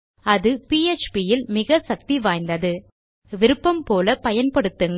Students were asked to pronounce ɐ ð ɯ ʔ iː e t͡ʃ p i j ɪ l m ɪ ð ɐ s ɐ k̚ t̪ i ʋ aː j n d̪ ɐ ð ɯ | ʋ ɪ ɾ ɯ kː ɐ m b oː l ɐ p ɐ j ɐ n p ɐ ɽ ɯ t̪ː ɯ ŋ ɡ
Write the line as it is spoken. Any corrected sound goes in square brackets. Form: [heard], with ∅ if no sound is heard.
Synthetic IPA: ɐ ð ɯ [p] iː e t͡ʃ p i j ɪ l m ɪ [ɣ] ɐ s ɐ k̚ t̪ i ʋ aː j n d̪ ɐ ð ɯ | ʋ ɪ ɾ ɯ [pː] ɐ m [p] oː l ɐ p ɐ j ɐ n p ɐ ɽ ɯ t̪ː ɯ ŋ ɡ